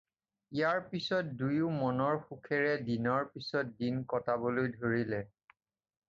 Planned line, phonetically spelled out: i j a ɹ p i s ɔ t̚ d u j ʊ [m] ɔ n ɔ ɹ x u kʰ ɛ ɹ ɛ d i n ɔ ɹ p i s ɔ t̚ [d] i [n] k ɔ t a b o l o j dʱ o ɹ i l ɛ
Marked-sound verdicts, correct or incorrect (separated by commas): correct, correct, correct